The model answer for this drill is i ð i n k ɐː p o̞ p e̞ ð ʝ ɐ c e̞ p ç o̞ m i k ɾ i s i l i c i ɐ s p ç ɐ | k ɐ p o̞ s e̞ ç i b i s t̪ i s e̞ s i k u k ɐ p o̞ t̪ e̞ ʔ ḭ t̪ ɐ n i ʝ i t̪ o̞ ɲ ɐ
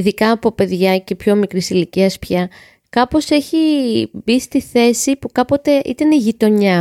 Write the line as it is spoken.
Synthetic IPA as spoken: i ð i k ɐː p o̞ p e̞ ð ʝ ɐ c e̞ p ç o̞ m i k ɾ i s i l i c i ɐ s p ç ɐ | k ɐ p o̞ s e̞ ç i b i s t̪ i θ e̞ s i p u k ɐ p o̞ t̪ e̞ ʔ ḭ t̪ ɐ n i ʝ i t̪ o̞ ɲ ɐ